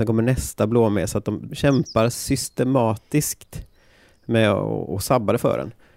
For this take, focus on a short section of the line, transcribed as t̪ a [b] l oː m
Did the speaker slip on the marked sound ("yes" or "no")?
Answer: no